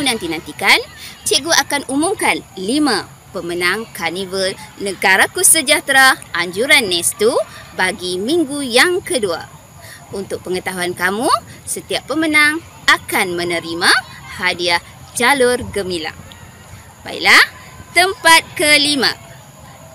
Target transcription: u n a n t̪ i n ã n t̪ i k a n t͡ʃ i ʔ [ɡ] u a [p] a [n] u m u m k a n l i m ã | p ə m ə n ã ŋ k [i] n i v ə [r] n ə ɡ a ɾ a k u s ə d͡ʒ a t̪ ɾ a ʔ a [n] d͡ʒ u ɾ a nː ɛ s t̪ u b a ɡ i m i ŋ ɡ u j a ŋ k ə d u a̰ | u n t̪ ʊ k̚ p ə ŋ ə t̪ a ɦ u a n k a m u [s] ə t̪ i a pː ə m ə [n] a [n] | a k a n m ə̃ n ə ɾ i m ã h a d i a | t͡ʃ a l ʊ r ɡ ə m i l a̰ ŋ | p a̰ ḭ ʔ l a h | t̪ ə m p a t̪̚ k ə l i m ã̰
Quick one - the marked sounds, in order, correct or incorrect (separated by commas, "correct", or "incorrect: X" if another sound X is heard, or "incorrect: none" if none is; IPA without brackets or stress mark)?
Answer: correct, incorrect: k, correct, incorrect: a, incorrect: l, incorrect: ɲ, correct, correct, incorrect: ŋ